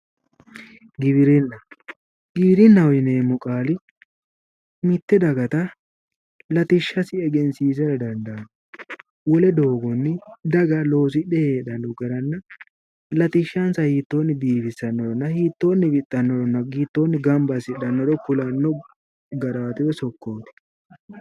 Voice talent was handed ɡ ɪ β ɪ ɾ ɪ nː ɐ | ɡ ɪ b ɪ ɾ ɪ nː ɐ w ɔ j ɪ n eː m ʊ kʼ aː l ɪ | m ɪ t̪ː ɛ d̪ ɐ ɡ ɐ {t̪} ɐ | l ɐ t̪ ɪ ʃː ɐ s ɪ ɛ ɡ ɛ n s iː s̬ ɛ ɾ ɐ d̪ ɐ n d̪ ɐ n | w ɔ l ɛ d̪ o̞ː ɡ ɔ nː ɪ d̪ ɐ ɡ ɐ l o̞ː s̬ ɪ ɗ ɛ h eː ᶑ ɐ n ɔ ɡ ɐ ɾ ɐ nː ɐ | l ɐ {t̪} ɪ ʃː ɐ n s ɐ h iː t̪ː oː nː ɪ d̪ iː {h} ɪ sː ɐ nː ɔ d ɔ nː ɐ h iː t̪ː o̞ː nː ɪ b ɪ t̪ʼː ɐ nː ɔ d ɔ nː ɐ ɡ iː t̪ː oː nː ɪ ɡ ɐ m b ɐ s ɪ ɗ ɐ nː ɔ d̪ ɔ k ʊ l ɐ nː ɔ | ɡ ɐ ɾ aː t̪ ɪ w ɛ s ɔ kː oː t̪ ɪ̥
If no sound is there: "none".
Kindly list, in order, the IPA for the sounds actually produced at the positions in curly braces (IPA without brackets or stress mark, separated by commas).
t̪, t̪, f